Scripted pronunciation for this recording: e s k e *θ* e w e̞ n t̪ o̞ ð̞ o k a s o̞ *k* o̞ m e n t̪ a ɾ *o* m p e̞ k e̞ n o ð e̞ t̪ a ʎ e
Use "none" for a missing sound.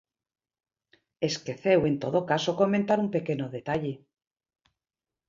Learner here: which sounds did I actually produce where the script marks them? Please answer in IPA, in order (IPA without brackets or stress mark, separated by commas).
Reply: θ, k, u